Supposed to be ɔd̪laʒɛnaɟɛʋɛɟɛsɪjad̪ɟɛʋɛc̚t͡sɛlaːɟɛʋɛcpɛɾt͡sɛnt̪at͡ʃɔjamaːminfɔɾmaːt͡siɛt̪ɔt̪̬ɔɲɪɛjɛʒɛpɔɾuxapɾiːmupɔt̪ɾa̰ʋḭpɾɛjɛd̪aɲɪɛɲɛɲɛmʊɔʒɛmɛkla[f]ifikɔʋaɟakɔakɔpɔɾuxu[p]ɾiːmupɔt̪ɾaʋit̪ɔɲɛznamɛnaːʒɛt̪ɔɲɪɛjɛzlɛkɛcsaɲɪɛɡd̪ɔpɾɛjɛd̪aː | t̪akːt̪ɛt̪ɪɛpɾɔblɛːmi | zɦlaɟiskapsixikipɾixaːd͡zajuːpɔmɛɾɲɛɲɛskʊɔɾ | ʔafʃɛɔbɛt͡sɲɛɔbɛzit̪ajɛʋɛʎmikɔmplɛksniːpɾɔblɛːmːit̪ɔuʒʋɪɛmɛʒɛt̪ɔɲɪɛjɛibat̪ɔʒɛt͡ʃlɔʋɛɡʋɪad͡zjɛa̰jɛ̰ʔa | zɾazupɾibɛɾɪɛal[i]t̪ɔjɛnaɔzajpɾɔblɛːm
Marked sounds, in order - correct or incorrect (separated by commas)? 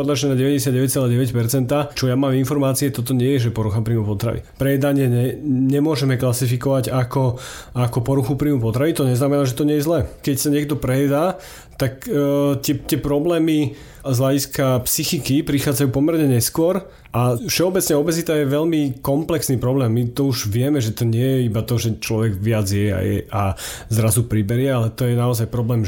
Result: incorrect, correct, incorrect